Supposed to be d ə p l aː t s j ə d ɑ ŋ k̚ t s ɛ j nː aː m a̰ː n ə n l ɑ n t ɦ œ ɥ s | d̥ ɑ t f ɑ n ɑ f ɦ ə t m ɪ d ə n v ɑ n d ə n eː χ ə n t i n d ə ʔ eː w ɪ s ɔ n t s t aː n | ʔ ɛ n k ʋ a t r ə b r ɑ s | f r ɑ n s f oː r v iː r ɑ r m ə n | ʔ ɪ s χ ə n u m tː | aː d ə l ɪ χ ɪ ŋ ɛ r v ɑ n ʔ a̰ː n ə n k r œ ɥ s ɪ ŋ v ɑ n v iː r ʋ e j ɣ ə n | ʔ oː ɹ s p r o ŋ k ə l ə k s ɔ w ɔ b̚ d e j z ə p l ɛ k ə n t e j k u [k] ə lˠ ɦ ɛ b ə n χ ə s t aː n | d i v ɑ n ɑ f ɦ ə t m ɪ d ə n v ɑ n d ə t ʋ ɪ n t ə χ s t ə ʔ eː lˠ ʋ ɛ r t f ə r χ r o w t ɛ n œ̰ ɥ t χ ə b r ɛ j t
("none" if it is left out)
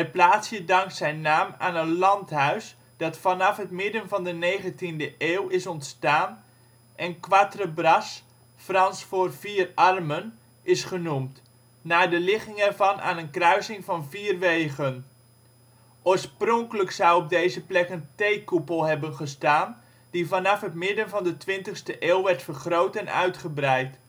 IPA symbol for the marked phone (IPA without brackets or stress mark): p